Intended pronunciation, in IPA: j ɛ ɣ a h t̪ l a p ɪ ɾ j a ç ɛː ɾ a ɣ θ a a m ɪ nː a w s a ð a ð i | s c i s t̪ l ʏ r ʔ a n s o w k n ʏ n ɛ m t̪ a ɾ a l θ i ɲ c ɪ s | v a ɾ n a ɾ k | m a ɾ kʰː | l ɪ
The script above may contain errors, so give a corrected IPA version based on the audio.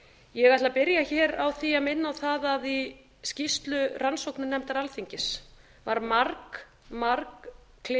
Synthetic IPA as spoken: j ɛ ɣ a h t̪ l a p ɪ ɾ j a ç ɛː ɾ a w θ i a m ɪ nː a w θ a ð a ð i | s c i s t̪ l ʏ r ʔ a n s o w k n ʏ n ɛ m t̪ a ɾ a l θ i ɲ c ɪ s | v a ɾ m a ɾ k | m a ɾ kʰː | l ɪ